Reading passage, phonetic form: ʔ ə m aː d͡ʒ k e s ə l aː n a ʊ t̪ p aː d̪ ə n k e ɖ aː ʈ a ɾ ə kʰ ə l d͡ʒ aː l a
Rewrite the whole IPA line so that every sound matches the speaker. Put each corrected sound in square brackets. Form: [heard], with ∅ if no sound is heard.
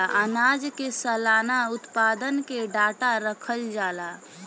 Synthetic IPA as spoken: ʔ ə [n] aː d͡ʒ k e s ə l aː n a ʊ t̪ p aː d̪ ə n k e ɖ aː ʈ a ɾ ə kʰ ə l d͡ʒ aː l a